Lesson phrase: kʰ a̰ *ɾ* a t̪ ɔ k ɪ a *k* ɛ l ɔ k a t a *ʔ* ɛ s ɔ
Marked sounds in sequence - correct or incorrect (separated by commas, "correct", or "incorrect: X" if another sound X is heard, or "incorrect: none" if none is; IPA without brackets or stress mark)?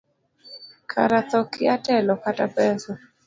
correct, incorrect: t, incorrect: p